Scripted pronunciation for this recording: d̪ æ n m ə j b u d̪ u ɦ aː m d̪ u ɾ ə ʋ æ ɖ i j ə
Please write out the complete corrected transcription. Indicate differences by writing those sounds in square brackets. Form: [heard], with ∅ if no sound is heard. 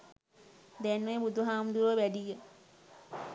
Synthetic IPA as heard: d̪ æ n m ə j b u d̪ u ɦ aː m d̪ u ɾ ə ʋ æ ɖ i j ə